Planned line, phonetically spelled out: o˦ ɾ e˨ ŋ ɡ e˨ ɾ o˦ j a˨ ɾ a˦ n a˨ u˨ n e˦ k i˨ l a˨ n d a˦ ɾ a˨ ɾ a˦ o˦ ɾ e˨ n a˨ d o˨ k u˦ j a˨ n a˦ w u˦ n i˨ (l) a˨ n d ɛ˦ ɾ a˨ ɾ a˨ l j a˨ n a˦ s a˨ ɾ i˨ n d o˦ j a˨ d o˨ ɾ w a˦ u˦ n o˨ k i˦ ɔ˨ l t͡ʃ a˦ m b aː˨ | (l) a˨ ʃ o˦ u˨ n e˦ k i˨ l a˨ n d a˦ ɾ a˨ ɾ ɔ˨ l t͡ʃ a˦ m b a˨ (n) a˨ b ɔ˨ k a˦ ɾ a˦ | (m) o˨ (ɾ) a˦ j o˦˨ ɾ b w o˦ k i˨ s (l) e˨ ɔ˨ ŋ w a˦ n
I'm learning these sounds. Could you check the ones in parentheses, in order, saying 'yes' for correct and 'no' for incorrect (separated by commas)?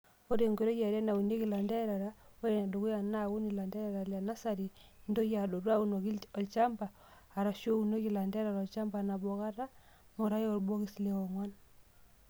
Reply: yes, no, yes, yes, yes, yes